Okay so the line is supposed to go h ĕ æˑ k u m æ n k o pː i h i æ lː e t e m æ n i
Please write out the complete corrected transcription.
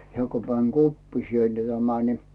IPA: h ĕ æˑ k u m æ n k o pː i s i e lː e t æ m æ n i